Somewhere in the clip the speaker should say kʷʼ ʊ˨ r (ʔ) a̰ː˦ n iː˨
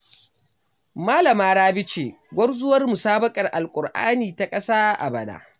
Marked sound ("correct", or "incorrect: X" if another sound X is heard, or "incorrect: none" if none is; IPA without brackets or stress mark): correct